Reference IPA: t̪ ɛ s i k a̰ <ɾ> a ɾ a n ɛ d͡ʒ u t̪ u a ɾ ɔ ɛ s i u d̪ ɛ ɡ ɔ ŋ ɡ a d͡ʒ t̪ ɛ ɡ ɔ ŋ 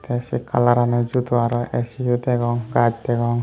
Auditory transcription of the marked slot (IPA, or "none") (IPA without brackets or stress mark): l